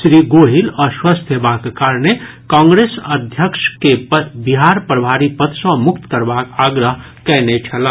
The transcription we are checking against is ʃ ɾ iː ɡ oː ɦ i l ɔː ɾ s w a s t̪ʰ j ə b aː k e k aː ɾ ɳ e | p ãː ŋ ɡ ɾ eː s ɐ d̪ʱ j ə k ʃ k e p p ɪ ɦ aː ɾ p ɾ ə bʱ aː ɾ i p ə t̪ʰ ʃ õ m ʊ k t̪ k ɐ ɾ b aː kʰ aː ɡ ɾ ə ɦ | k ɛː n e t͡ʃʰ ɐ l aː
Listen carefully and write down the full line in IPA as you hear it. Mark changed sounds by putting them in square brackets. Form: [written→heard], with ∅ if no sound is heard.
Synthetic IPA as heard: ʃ ɾ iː ɡ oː ɦ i l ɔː ɾ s w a s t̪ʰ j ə b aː k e k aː ɾ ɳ e | [p→k] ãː ŋ ɡ ɾ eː s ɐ d̪ʱ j ə k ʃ k e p [p→b] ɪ ɦ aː ɾ p ɾ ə bʱ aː ɾ i p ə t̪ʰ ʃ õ m ʊ k t̪ k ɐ ɾ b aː [kʰ→k] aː ɡ ɾ ə ɦ | k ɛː n e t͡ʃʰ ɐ l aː